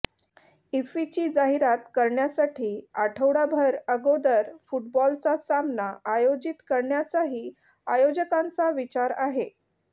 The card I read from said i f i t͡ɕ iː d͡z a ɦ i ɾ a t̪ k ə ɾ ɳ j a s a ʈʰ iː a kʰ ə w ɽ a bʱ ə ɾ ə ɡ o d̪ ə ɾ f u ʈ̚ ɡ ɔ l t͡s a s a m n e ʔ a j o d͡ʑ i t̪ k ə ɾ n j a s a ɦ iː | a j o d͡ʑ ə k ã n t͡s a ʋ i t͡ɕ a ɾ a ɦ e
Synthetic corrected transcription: i f i t͡ɕ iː d͡z a ɦ i ɾ a t̪ k ə ɾ ɳ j a s a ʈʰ iː a ʈʰ ə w ɽ a bʱ ə ɾ ə ɡ o d̪ ə ɾ f u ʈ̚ b ɔ l t͡s a s a m n a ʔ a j o d͡ʑ i t̪ k ə ɾ ɳ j a t͡s a ɦ iː | a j o d͡ʑ ə k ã n t͡s a ʋ i t͡ɕ a ɾ a ɦ e

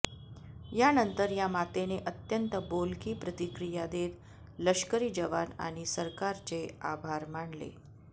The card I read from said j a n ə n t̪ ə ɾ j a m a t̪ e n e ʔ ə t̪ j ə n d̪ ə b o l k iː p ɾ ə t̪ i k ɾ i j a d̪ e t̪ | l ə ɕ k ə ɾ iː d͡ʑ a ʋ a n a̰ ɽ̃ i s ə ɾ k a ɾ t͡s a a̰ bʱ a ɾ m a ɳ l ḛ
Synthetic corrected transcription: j a n ə n t̪ ə ɾ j a m a t̪ e n e ʔ ə t̪ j ə n t̪ ə b o l k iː p ɾ ə t̪ i k ɾ i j a d̪ e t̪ | l ə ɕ k ə ɾ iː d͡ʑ ə ʋ a n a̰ ɽ̃ i s ə ɾ k a ɾ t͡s e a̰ bʱ a ɾ m a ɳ l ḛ

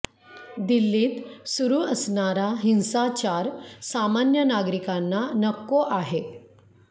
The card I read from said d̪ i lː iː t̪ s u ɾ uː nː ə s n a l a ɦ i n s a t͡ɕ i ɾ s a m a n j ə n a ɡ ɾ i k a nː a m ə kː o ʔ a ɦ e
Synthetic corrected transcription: d̪ i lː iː t̪ s u ɾ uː ə s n a ɾ a ɦ i n s a t͡ɕ a ɾ s a m a n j ə n a ɡ ɾ i k a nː a n ə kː o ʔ a ɦ e

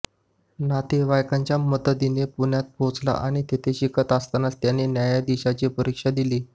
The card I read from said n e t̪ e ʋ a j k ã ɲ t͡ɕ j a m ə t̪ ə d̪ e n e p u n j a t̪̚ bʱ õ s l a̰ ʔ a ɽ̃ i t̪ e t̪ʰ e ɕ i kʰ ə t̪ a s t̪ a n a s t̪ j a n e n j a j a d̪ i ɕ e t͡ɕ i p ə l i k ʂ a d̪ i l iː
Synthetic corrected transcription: n a t̪ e ʋ a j k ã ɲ t͡ɕ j a m ə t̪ ə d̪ i n e p u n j a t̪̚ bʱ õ t͡s l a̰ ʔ a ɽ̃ i t̪ e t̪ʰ e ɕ i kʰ ə t̪ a s t̪ a n a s t̪ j a n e n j a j a d̪ i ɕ a t͡ɕ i p ə ɾ i k ʂ a d̪ i l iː

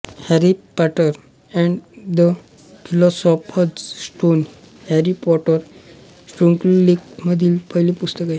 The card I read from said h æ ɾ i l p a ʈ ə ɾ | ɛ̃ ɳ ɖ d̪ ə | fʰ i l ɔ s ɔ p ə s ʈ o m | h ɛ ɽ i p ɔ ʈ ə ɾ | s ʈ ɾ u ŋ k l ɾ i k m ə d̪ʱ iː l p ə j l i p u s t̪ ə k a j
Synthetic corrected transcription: h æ ɾ i p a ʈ ə ɾ | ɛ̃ ɳ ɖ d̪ ə | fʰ i l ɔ s ɔ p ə s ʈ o n | h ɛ ɾ i p ɔ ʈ ə ɾ | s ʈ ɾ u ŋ k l l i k m ə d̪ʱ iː l p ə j l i p u s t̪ ə k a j

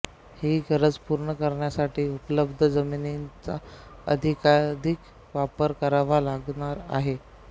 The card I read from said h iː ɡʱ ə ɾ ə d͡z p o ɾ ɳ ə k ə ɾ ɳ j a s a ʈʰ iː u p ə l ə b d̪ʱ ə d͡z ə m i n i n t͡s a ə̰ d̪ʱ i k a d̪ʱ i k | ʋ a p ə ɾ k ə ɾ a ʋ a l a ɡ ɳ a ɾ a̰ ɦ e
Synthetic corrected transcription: h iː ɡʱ ə ɾ ə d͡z p u ɾ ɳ ə k ə ɾ ɳ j a s a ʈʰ iː u p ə l ə b d̪ʱ ə d͡z ə m i n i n t͡s a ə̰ d̪ʱ i k a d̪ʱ i k | ʋ a p ə ɾ k ə ɾ a ʋ a l a ɡ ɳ a ɾ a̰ ɦ e

